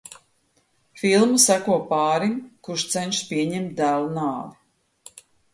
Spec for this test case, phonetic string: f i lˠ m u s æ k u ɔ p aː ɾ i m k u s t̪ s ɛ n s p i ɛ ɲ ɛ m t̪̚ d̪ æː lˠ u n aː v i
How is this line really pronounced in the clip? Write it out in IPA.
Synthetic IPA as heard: f i lˠ m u s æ k u ɔ p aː ɾ i m k u ʃ t̪ s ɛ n ʃ p i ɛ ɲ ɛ m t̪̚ d̪ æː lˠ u n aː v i